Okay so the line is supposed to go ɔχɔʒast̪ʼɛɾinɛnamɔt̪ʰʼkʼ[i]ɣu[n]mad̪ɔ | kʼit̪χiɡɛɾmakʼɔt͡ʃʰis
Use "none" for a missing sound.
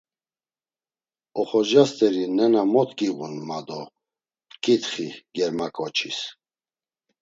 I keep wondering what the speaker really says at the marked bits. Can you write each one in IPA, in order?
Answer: i, n

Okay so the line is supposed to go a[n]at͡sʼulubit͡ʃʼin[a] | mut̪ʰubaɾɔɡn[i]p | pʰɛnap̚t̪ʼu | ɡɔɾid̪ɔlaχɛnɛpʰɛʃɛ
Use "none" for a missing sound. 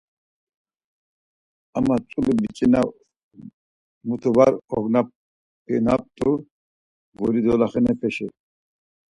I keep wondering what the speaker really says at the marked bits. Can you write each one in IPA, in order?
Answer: m, a, a

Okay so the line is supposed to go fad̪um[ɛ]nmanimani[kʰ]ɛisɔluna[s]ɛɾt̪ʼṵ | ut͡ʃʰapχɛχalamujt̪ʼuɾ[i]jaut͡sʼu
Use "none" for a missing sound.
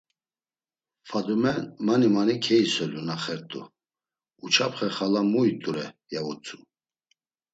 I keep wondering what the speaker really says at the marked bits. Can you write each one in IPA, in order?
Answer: ɛ, kʰ, χ, ɛ

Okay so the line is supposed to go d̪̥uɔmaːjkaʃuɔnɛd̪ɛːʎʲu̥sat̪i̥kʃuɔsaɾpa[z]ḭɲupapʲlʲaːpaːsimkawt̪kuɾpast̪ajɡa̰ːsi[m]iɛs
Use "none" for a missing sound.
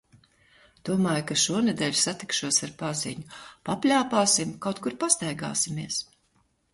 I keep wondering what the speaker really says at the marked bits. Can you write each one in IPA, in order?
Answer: z, m

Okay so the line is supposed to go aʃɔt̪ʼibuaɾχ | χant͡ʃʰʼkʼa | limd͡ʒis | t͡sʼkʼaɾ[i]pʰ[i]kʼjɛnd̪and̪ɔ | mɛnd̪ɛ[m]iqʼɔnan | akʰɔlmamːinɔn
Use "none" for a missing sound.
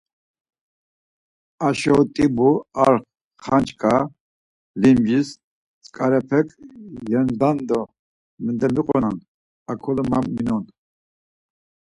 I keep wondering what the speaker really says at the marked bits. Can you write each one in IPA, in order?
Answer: ɛ, ɛ, m

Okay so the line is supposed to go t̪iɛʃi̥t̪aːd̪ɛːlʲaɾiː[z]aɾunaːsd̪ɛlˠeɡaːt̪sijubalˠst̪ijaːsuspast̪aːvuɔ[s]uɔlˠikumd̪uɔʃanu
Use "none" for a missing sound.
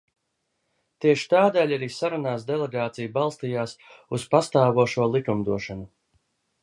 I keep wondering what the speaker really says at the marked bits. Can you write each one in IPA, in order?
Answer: s, ʃ

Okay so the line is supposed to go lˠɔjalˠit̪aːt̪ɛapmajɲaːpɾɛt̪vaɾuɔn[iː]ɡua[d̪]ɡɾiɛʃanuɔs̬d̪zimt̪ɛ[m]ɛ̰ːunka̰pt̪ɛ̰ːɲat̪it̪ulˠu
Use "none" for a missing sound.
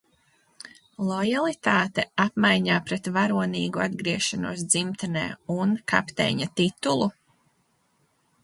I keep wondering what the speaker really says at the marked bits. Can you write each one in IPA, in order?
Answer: iː, d̪, n

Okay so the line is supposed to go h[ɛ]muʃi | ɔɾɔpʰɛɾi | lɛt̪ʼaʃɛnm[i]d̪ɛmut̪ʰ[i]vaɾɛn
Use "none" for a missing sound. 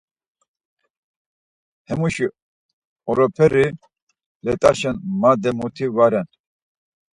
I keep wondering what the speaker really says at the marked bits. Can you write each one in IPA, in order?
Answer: ɛ, a, i

